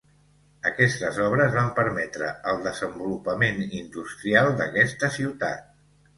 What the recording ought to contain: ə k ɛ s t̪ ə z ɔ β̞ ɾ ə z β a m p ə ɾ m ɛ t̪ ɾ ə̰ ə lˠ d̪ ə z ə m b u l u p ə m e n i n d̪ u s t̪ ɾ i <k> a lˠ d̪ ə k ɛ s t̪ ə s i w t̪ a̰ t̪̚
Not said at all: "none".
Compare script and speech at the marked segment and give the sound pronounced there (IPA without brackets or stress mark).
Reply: none